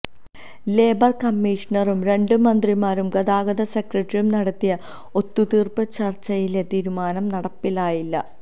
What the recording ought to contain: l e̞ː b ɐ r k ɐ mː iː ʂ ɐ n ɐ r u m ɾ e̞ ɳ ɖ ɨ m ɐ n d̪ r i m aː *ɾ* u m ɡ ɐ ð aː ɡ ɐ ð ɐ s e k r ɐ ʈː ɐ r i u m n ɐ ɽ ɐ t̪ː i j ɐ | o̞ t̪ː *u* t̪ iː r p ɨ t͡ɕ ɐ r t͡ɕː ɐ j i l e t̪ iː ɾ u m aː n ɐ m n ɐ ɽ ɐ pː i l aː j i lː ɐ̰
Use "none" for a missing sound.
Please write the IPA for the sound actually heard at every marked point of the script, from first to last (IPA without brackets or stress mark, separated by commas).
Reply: ɾ, u